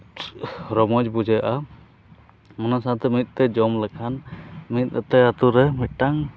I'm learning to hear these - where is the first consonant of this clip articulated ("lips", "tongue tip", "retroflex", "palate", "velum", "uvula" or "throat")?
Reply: tongue tip